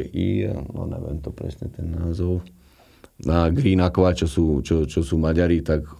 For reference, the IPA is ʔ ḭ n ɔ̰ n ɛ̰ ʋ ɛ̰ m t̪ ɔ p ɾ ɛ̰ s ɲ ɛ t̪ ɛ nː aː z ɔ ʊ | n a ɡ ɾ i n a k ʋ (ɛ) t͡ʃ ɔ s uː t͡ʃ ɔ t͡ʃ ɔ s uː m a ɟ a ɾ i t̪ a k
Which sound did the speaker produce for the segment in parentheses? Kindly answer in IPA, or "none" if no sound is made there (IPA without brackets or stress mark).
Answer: a